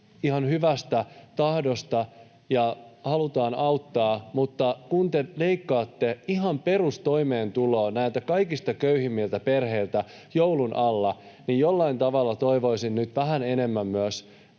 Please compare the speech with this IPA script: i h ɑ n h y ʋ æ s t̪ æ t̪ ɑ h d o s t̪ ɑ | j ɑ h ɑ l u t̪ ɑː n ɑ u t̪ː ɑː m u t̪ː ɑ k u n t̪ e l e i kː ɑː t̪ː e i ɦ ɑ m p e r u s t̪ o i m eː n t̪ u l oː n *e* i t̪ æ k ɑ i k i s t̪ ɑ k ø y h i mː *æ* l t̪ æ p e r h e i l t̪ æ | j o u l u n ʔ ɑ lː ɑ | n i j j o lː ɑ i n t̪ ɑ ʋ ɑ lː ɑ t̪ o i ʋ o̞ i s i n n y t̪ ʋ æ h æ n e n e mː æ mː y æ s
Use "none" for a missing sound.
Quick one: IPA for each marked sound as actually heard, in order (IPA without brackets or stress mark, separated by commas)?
æ, i